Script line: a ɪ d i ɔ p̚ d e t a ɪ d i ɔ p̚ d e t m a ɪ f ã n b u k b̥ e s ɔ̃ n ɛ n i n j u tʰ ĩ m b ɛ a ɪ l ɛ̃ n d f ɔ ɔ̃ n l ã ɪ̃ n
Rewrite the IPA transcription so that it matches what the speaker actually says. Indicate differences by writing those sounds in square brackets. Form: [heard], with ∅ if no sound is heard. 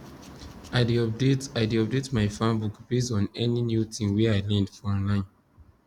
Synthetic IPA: a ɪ d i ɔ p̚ d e t a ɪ d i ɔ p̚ d e t m a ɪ f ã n b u k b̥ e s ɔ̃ n ɛ n i n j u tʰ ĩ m [w] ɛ a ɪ l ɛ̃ n d f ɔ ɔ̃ n l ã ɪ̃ n